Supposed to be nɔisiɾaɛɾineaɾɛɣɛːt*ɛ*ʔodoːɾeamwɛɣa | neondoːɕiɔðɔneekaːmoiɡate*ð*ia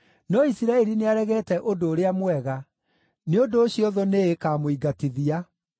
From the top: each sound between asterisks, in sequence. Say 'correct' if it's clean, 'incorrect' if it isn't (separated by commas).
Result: correct, correct